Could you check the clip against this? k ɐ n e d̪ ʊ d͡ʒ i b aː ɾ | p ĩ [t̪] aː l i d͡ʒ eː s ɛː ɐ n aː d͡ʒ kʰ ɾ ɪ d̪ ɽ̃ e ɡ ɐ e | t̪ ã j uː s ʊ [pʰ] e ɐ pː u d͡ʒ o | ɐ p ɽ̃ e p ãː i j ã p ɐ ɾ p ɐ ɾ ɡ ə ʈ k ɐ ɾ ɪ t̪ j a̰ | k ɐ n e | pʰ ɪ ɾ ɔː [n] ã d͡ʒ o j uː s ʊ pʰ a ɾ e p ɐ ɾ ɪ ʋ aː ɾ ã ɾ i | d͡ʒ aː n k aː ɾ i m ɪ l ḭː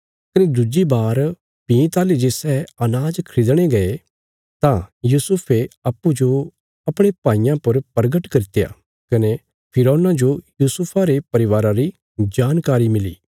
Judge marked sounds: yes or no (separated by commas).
yes, yes, yes